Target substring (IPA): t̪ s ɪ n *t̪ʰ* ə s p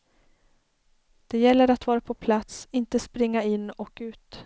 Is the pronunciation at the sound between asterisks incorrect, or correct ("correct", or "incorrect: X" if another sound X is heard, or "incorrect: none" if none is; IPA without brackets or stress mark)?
incorrect: t̪